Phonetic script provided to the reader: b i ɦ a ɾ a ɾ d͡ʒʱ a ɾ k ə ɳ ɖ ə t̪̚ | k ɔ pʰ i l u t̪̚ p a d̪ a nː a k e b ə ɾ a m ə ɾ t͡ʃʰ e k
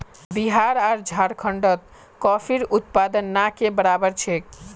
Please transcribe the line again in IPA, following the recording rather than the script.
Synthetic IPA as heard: b i ɦ a ɾ a ɾ d͡ʒʱ a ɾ kʰ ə ɳ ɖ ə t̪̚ | k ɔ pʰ i ɾ u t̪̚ p a d̪ ə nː a k e b ə ɾ a b ə ɾ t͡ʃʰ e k